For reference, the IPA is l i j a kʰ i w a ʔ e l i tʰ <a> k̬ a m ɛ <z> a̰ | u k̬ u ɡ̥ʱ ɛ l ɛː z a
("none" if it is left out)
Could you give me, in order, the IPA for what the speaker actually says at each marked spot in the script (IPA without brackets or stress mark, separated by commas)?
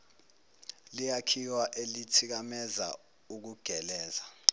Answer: i, z